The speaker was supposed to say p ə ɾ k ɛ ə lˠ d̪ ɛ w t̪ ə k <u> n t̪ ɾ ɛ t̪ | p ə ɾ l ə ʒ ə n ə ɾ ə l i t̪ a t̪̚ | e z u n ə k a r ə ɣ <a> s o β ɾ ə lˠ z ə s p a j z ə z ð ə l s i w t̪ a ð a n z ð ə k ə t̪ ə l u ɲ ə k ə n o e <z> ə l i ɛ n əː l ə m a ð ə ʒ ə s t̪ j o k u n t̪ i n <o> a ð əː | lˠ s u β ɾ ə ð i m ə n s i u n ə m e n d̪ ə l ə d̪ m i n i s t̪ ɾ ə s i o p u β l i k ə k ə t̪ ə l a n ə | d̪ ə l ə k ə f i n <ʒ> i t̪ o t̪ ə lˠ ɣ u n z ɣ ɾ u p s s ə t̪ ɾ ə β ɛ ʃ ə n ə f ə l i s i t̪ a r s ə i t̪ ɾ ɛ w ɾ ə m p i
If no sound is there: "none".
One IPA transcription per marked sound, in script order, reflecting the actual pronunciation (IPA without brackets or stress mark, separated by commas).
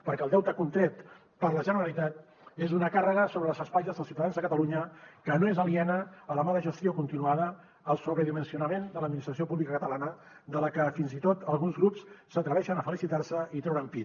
u, ə, z, u, z